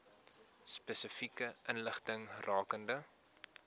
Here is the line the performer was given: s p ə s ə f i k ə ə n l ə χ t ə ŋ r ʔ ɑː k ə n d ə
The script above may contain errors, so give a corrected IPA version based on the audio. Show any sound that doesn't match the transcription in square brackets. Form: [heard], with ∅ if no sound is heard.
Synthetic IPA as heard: s p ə s ə f i k ə ə n l ə χ t ə ŋ r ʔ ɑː k ə n d ə